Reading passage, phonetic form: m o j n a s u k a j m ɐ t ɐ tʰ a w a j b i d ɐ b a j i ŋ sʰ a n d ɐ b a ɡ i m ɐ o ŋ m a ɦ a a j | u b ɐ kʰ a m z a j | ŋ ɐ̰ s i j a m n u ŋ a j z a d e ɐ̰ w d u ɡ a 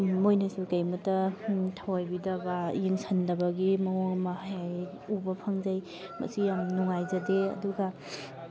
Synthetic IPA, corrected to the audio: m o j n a s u k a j m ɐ t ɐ tʰ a w a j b i d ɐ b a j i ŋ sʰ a n d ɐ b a ɡ i m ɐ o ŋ m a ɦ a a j | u b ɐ pʰ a ŋ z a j | m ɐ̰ s i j a m n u ŋ a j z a d e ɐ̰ d u ɡ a